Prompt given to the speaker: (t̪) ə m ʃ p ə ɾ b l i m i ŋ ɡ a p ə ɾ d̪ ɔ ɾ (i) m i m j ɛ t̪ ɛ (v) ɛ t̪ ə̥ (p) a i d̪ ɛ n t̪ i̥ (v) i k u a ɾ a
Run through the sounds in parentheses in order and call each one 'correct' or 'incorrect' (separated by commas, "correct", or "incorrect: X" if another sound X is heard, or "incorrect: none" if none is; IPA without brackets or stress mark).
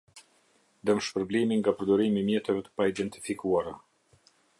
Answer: incorrect: d̪, correct, correct, correct, incorrect: f